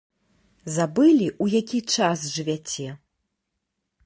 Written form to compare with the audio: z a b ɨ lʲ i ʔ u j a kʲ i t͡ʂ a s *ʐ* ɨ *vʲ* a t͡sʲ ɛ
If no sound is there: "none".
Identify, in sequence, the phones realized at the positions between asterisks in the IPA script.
ʐ, vʲ

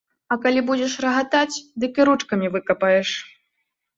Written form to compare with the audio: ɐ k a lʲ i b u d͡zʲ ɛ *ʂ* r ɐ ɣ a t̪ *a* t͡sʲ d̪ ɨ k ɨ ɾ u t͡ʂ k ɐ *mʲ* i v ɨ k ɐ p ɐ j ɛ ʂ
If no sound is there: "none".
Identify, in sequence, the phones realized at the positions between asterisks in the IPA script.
ʂ, a, mʲ

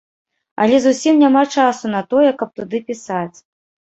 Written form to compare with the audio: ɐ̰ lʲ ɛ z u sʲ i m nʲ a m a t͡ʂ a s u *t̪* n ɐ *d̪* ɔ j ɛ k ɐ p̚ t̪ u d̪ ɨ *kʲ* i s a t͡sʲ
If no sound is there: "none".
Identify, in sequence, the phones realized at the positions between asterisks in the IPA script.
none, t̪, pʲ

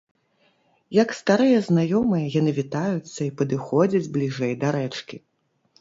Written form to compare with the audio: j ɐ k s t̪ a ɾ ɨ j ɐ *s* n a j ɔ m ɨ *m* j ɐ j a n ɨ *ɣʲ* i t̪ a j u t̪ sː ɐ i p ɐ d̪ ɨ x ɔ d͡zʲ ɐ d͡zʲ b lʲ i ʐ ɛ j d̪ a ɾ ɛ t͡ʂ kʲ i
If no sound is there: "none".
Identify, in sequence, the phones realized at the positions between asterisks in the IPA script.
z, none, vʲ

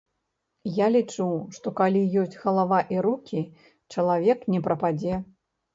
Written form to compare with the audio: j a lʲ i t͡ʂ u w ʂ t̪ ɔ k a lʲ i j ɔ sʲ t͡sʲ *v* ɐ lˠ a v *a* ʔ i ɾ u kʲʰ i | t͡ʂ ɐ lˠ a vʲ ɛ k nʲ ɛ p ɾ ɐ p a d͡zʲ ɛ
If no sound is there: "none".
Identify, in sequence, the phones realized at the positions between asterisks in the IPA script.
ɣ, a

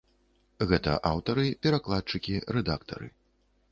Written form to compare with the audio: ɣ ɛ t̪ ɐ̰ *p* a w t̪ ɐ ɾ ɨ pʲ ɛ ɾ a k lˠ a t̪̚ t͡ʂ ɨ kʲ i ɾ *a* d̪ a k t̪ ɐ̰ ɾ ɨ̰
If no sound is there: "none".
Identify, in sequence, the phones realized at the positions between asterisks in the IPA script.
ʔ, ɛ

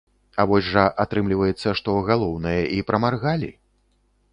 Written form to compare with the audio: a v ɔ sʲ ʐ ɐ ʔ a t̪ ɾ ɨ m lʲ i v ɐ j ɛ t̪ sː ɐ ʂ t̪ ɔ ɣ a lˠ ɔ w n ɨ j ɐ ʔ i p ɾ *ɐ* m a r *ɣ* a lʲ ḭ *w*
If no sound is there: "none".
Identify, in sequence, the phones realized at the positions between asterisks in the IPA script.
ɐ, ɣ, none

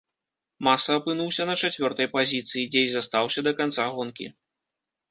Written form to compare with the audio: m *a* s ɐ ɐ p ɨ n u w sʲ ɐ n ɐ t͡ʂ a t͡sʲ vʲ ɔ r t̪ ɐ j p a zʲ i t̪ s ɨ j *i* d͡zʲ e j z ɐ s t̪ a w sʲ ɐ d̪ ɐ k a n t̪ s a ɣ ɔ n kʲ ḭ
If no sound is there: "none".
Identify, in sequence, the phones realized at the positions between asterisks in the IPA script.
a, i

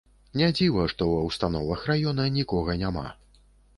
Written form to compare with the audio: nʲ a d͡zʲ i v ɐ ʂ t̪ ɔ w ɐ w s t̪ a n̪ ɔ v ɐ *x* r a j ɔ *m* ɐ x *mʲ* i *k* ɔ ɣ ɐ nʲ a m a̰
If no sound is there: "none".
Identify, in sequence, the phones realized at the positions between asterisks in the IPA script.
x, n, nʲ, k

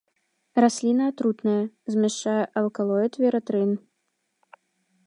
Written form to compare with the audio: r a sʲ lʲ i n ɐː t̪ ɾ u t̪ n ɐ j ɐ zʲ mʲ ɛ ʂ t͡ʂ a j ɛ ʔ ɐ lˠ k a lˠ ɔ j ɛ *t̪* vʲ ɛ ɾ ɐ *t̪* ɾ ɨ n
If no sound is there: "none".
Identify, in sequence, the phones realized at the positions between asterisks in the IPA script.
t̪, t̪

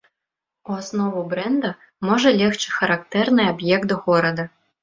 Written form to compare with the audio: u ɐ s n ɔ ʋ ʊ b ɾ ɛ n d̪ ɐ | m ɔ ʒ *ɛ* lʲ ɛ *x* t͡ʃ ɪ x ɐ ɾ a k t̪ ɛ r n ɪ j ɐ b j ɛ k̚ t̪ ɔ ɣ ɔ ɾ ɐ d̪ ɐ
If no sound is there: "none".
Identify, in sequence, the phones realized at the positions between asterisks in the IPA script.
ɛ, x

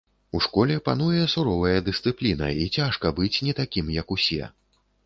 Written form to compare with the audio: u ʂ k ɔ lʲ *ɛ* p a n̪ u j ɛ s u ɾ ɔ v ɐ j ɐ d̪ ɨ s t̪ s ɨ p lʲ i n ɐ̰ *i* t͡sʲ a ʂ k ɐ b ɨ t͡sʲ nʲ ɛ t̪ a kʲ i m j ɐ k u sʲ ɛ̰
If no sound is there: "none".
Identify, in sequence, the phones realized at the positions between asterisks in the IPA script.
ɛ, i

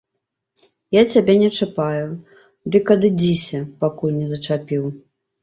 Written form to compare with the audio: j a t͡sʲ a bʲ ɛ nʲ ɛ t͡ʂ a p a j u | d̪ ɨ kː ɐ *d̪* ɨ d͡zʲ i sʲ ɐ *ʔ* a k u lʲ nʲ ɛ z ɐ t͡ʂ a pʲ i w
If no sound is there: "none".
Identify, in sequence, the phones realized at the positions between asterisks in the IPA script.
d̪, p

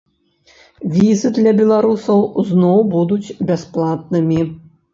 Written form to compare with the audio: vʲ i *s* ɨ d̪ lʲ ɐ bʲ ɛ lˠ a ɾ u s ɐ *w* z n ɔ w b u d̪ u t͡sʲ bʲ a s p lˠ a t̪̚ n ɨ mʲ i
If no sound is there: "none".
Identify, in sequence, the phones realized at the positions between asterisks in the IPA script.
z, w

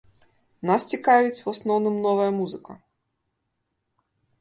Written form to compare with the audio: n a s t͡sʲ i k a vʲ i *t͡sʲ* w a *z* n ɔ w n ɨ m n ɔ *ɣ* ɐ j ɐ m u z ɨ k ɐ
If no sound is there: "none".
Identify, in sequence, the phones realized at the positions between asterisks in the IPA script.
t͡sʲ, s, v

